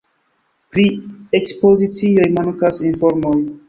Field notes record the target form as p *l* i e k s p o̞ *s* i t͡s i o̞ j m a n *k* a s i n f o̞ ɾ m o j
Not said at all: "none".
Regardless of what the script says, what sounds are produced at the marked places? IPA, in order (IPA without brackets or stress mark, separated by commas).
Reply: ɾ, z, k